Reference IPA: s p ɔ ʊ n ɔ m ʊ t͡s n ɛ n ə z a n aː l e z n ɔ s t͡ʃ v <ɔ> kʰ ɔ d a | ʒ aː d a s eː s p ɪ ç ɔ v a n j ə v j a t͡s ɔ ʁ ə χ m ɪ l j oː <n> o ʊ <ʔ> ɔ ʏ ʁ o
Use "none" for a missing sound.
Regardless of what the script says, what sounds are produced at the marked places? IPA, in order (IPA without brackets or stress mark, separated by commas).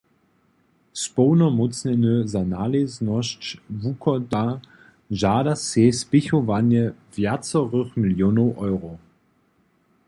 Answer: u, n, ʔ